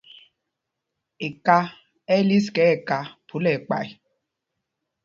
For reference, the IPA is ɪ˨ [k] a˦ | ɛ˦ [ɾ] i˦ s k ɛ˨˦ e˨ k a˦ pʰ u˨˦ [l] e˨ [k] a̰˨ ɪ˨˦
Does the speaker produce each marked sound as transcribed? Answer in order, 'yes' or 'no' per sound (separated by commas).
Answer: yes, no, yes, no